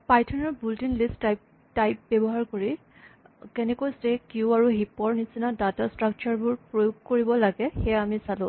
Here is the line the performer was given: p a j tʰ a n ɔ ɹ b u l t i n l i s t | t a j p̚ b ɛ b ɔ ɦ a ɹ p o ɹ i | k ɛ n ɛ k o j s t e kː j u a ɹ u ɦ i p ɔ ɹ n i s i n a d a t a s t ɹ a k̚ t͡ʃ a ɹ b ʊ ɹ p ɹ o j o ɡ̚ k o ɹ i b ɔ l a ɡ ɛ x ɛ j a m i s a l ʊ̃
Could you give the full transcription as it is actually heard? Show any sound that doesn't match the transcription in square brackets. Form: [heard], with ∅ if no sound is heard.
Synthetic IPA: p a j tʰ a n ɔ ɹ b u l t i n l i s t | t a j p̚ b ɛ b ɔ ɦ a ɹ [k] o ɹ i | k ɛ n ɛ k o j s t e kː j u a ɹ u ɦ i p ɔ ɹ n i s i n a d a t a s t ɹ a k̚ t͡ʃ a ɹ b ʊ ɹ p ɹ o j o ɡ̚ k o ɹ i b ɔ l a ɡ ɛ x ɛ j a m i s a l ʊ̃